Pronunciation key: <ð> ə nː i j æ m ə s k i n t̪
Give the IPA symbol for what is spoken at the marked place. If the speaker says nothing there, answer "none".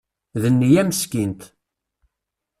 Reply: ð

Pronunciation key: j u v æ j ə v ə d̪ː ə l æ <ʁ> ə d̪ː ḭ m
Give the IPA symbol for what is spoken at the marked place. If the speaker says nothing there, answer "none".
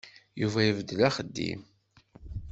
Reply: χ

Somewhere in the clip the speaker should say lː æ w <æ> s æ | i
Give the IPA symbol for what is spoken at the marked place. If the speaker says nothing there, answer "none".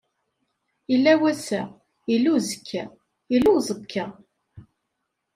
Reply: æ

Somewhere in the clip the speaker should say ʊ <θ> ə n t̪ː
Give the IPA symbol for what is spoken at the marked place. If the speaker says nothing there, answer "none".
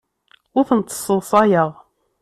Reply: θ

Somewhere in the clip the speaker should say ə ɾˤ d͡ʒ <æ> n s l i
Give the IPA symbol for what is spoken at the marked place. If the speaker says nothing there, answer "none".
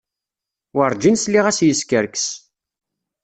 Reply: i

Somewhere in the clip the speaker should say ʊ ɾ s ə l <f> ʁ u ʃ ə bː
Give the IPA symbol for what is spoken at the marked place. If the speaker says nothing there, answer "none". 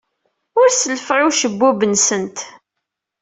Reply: f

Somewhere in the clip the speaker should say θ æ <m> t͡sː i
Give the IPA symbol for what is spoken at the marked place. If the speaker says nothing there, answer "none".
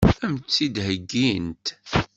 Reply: m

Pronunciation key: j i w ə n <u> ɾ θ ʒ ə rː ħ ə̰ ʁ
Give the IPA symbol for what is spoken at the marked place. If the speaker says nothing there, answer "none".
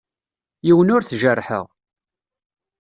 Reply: ʊ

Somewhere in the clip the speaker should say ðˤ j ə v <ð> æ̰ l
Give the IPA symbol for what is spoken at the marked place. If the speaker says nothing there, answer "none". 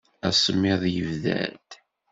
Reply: ð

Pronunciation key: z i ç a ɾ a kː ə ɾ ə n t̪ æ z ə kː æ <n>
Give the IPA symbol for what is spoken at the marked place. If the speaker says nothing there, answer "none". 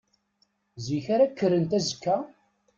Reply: none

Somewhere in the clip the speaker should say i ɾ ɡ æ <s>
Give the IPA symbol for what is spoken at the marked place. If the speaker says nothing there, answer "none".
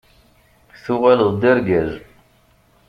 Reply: z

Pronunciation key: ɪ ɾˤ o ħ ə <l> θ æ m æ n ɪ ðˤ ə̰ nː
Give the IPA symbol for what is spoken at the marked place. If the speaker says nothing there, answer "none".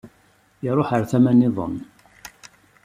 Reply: ɾ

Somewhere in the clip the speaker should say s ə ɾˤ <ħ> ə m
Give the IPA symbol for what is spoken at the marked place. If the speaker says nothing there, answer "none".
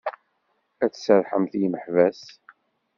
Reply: ħ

